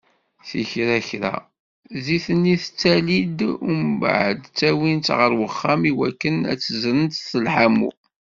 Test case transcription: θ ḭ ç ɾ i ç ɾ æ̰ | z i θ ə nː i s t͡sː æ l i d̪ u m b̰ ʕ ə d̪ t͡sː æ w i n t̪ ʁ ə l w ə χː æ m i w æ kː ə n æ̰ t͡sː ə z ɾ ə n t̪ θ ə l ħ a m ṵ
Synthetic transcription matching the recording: θ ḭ ç ɾ æ ç ɾ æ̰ | z i θ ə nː i θ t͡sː æ l i d̪ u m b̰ ʕ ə d̪ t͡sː æ w i n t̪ ʁ ə ɾ w ə χː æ m i w æ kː ə n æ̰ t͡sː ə z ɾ ə n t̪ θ ə l ħ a m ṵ

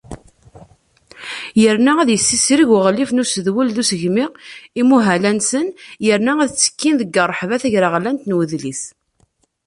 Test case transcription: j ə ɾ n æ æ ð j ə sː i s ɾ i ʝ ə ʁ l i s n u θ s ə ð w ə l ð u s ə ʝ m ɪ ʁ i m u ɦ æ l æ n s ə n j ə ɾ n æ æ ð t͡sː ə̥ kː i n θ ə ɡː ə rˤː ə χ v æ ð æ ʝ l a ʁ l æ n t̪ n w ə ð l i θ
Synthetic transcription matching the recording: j ə ɾ n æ æ ð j ə sː i s ɾ i ʝ ə ʁ l i f n u s ə ð w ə l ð u s ə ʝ m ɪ ʁ i m u ɦ æ l æ n s ə n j ə ɾ n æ æ ð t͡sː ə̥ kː i n ð ə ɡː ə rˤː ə ħ v æ θ æ ʝ ɾ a ʁ l æ n t̪ n w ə ð l i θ

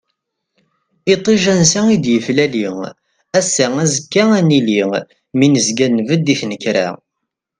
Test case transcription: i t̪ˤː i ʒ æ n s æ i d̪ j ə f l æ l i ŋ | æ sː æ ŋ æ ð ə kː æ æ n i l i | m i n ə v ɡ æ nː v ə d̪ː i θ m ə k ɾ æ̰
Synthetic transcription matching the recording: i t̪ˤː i ʒ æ n s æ i d̪ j ə f l æ l i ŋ | æ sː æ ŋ æ z ə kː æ æ n i l i | m i n ə z ɡ æ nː v ə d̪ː i θ n ə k ɾ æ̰

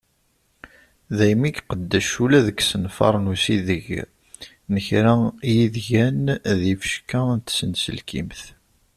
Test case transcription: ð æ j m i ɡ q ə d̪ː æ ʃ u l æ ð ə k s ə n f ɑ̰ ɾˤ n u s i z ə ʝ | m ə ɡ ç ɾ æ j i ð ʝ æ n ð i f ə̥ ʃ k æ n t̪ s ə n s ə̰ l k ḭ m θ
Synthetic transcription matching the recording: ð æ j m i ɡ q ə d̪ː æ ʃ u l æ ð ə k s ə n f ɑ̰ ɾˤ n u s i ð ə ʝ | n ə ç ɾ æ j i ð ʝ æ n ð i f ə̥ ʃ k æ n t̪ s ə n s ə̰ l k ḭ m θ

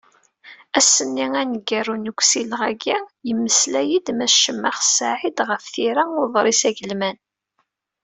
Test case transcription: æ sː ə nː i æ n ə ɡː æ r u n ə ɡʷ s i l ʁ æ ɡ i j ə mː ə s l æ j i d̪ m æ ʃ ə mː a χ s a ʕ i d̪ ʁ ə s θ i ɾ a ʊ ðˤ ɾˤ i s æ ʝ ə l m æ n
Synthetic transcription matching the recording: æ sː ə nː i æ n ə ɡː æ r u n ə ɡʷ s i l ʁ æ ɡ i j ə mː ə s l æ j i d̪ m æ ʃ ə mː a χ s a ʕ i d̪ ʁ ə f θ i ɾ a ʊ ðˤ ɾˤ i s æ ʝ ə l m æ n

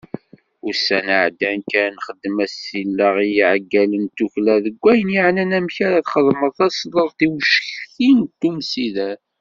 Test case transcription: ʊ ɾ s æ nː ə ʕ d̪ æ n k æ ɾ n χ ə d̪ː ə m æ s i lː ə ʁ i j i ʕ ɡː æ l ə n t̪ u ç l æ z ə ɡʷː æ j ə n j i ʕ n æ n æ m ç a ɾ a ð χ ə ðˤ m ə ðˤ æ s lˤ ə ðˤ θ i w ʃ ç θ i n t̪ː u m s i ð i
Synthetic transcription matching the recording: ʊ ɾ s æ n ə ʕ d̪ æ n k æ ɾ n χ ə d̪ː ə m æ s i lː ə ʁ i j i ʕ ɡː æ l ə n t̪ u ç l æ ð ə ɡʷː æ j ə n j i ʕ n æ n æ m ç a ɾ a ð χ ə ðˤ m ə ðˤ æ s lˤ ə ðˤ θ i w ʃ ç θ i n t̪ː u m s i ð æ

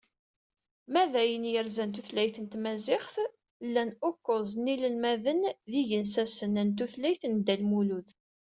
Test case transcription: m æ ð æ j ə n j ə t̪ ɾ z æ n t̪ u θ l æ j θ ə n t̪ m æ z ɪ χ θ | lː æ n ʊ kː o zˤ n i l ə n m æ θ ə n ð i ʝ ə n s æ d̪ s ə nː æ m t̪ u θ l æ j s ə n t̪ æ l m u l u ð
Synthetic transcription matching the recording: m æ ð æ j ə n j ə ɾ z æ n t̪ u θ l æ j θ ə n t̪ m æ z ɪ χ θ | lː æ n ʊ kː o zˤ n i l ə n m æ ð ə n ð i ʝ ə n s æ s ə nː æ n t̪ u θ l æ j θ ə n d̪ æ l m u l u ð

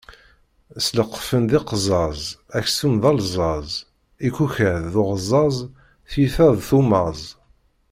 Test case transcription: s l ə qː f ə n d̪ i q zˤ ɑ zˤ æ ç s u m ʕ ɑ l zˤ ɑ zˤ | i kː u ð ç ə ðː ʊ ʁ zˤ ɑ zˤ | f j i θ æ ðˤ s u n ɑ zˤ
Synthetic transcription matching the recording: s l ə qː f ə n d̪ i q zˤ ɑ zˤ æ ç s u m ð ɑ l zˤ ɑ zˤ | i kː u ç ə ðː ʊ ʁ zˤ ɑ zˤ | θ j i θ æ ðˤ θ u m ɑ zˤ

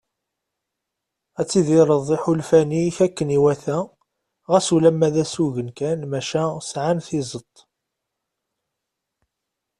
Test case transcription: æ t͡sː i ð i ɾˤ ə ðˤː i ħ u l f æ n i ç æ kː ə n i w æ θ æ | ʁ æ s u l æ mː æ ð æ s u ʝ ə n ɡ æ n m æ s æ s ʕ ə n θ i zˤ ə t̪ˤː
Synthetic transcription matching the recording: æ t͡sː i ð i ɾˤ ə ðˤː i ħ u l f æ n i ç æ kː ə n i w æ θ æ | ʁ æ s u l æ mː æ ð æ s u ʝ ə n k æ n m æ ʃ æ s ʕ a n θ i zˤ ə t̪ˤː

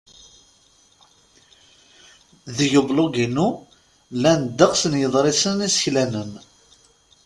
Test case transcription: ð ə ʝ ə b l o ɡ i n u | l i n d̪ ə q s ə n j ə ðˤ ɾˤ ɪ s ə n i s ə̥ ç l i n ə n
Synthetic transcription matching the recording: ð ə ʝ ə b l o ɡ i n u | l æ n d̪ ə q s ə n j ə ðˤ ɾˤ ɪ s ə n i s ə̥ ç l æ n ə n

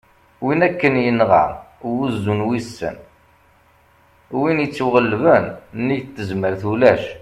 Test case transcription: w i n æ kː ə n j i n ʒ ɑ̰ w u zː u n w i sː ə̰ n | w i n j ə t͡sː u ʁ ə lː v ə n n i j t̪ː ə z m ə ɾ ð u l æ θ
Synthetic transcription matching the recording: w i n æ kː ə n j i n ʁ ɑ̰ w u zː u n w i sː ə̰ n | w i n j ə t͡sː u ʁ ə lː v ə n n i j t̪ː ə z m ə ɾ θ u l æ ʃ

